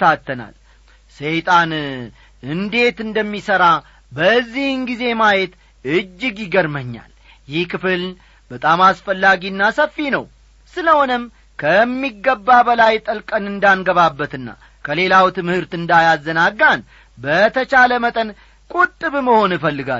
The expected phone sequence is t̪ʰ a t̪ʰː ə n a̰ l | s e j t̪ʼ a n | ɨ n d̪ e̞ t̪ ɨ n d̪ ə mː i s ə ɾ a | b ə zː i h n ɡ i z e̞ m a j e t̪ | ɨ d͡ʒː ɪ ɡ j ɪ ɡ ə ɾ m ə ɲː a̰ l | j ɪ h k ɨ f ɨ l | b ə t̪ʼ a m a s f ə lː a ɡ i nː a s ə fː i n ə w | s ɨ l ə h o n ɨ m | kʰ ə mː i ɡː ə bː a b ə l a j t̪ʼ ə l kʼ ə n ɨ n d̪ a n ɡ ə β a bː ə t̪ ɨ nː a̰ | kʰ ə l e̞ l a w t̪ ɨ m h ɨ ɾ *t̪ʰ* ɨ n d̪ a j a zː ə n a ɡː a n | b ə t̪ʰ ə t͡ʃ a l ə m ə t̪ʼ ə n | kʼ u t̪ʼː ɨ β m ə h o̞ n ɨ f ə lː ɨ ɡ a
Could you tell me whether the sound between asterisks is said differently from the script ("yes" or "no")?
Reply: yes